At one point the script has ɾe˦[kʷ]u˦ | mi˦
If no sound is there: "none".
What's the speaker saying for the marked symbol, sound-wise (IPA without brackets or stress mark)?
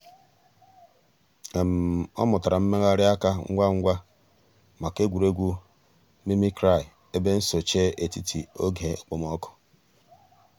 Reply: ɡʷ